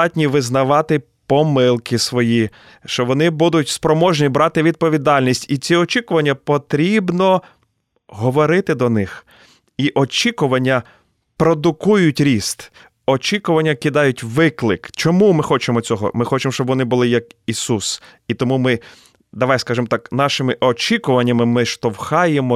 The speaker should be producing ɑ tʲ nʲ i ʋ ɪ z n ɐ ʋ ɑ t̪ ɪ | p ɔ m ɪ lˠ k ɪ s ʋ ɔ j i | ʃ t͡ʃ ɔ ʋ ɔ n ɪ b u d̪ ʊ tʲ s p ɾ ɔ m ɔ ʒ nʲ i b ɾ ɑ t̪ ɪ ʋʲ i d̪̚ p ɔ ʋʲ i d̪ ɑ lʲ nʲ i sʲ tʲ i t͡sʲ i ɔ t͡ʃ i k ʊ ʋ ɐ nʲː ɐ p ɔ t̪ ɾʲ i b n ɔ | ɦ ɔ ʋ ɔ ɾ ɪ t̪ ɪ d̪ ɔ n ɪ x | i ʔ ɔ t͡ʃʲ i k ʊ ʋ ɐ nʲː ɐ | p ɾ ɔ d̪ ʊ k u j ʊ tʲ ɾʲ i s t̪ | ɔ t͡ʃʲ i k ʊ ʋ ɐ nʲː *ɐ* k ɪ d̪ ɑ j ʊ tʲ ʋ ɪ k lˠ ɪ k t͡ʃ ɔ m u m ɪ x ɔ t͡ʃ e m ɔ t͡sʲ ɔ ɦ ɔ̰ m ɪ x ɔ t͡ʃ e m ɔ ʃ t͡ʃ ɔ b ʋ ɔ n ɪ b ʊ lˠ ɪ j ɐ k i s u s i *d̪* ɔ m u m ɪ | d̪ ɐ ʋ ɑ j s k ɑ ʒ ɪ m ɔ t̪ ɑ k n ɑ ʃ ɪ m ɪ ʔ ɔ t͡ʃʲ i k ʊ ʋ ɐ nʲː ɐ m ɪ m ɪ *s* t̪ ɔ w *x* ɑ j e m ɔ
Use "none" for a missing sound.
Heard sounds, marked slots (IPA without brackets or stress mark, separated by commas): ɐ, t̪, ʃ, x